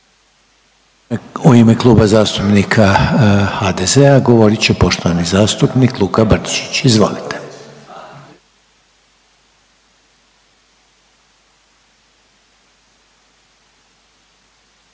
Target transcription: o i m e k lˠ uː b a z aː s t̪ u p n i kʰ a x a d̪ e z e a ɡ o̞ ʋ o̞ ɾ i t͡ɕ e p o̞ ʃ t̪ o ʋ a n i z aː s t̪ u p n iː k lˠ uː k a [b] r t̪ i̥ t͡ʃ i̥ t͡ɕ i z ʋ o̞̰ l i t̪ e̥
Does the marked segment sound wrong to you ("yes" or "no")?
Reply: no